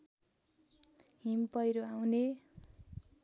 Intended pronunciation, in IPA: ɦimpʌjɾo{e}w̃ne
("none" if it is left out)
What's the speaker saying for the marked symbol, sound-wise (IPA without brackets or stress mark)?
a